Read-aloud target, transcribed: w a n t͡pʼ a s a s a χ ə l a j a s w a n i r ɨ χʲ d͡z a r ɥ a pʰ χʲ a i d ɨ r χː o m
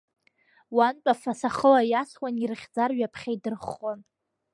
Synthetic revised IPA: w a n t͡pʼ a f a s a χ ə l a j a s w a n i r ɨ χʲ d͡z a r ɥ a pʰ χʲ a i d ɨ r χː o n